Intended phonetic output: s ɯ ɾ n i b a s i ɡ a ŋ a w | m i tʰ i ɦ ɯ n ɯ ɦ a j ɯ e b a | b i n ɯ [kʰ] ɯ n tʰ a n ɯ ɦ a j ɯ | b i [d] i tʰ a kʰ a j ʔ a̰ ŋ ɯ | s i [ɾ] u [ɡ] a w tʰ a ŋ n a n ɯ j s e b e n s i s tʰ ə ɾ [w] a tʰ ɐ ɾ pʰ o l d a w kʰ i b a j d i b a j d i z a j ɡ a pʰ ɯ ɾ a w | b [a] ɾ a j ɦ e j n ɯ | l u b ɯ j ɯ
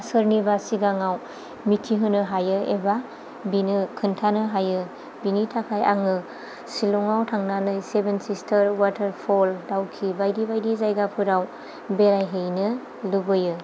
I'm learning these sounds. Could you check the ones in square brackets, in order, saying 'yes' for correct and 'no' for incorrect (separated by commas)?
yes, no, no, no, yes, no